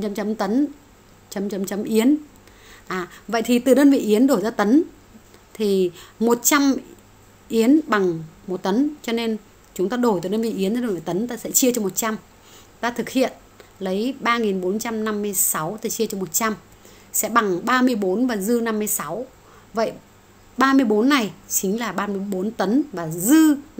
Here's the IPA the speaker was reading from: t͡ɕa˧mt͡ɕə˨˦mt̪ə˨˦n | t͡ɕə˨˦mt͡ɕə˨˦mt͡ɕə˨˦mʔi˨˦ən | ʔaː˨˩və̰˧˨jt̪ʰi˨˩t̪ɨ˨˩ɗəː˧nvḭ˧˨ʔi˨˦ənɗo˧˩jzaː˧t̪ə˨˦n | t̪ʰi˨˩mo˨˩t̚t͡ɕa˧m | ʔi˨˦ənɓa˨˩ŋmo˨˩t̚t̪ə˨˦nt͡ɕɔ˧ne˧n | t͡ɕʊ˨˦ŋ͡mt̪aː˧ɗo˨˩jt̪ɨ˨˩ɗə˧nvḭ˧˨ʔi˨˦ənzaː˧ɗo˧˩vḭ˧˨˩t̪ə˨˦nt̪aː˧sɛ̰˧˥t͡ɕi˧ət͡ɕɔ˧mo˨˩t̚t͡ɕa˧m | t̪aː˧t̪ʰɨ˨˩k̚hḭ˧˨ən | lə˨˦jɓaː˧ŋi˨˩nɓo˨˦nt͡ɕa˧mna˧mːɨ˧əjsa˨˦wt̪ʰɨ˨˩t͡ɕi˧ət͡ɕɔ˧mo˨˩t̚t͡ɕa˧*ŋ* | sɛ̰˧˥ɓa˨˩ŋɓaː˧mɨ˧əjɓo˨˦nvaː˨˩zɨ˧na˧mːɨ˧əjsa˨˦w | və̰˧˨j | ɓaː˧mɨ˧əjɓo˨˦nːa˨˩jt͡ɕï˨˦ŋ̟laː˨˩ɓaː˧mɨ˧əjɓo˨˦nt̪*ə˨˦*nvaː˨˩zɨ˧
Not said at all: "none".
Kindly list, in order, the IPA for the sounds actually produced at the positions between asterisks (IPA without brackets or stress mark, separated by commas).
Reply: m, ə˨˦